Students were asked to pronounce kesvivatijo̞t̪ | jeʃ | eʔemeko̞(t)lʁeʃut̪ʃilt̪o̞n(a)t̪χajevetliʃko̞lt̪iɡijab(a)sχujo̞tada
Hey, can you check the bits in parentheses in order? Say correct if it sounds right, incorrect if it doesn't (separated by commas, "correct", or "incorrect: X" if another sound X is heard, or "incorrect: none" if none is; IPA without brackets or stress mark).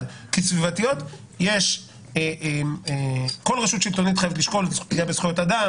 incorrect: none, incorrect: i, incorrect: e